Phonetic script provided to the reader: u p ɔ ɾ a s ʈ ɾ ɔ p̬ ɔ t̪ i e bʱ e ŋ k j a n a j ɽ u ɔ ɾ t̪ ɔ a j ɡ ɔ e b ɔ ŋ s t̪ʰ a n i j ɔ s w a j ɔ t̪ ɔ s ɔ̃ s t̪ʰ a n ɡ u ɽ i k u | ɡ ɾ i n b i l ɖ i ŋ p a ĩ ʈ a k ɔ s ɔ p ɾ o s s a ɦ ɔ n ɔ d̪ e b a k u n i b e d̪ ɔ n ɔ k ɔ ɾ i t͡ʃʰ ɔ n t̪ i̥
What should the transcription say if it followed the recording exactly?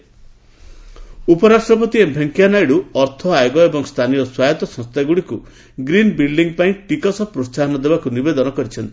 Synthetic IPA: u p ɔ ɾ a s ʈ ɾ ɔ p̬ ɔ t̪ i e bʱ e ŋ k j a n a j ɽ u ɔ ɾ t̪ʰ ɔ a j ɡ ɔ e b ɔ ŋ s t̪ʰ a n i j ɔ s w a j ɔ t̪ ɔ s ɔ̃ s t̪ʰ a ɡ u ɽ i k u | ɡ ɾ i n b i l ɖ i ŋ p a ĩ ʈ i k ɔ s ɔ p ɾ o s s a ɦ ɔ n ɔ d̪ e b a k u n i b e d̪ ɔ n ɔ k ɔ ɾ i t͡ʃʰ ɔ n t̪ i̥